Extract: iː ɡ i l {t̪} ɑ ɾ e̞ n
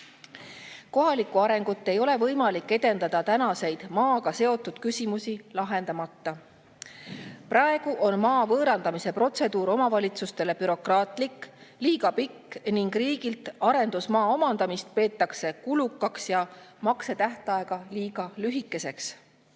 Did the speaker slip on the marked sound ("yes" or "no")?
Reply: no